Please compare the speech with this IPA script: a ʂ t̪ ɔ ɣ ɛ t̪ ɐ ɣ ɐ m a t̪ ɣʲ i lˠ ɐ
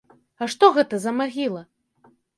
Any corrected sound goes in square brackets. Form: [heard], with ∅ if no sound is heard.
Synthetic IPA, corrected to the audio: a ʂ t̪ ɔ ɣ ɛ t̪ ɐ [z] ɐ m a [∅] ɣʲ i lˠ ɐ

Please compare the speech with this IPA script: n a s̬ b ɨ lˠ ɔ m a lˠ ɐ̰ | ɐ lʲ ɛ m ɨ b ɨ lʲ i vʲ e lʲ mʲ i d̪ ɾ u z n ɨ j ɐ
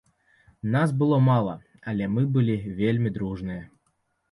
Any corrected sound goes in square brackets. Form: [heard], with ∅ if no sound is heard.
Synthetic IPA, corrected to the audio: n a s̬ b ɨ lˠ ɔ m a lˠ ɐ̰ | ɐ lʲ ɛ m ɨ b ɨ lʲ i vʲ e lʲ mʲ i d̪ ɾ u [ʐ] n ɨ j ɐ

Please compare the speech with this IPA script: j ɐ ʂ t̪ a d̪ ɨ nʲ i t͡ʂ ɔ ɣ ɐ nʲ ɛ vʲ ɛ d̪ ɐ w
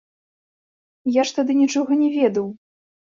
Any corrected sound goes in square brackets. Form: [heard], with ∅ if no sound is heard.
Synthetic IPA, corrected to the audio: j [a] ʂ t̪ a d̪ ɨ nʲ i t͡ʂ ɔ ɣ ɐ nʲ ɛ vʲ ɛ d̪ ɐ w

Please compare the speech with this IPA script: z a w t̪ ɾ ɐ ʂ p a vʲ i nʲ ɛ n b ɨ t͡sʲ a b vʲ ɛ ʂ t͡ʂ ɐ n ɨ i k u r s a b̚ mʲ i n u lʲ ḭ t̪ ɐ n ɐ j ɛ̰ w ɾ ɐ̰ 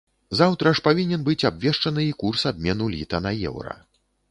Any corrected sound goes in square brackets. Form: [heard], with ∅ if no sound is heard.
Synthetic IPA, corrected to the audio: z a w t̪ ɾ ɐ ʂ p a vʲ i nʲ ɛ n b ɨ t͡sʲ a b vʲ ɛ ʂ t͡ʂ ɐ n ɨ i k u r s a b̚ mʲ [ɛ] n u lʲ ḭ t̪ ɐ n ɐ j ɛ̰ w ɾ ɐ̰

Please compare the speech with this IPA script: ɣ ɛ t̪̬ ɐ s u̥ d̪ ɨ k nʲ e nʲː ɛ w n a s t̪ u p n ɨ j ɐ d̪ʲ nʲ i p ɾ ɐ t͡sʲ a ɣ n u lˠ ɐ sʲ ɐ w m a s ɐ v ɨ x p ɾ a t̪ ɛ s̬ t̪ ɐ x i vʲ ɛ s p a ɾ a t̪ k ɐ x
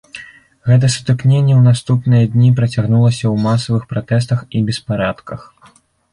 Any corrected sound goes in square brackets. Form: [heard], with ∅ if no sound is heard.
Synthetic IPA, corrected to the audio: ɣ ɛ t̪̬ ɐ s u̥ [t̪] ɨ k nʲ e nʲː ɛ w n a s t̪ u p n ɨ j ɐ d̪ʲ nʲ i p ɾ ɐ t͡sʲ a ɣ n u lˠ ɐ sʲ ɐ w m a s ɐ v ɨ x p ɾ a t̪ ɛ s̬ t̪ ɐ x i [bʲ] ɛ s p a ɾ a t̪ k ɐ x

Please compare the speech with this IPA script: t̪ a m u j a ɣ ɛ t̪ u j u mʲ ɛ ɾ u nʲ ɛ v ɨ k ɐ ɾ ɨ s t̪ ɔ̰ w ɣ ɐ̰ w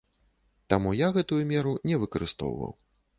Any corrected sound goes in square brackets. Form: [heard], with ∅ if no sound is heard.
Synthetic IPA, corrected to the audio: t̪ a m u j a ɣ ɛ t̪ u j u mʲ ɛ ɾ u nʲ ɛ v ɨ k ɐ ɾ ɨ s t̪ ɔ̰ w [v] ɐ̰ w

